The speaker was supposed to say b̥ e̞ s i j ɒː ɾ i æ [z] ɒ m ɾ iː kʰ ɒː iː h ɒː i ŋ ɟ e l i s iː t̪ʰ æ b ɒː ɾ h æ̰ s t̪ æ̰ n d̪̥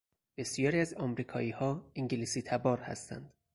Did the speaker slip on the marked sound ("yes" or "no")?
no